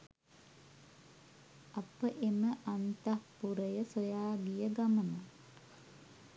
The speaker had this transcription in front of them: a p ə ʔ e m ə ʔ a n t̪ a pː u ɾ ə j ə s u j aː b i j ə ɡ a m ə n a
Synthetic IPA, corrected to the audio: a p ə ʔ e m ə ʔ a n t̪ a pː u ɾ ə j ə s o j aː ɡ i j ə ɡ a m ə n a